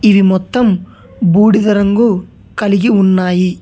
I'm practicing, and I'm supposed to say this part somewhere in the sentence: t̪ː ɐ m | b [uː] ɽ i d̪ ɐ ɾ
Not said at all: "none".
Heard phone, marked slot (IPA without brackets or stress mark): uː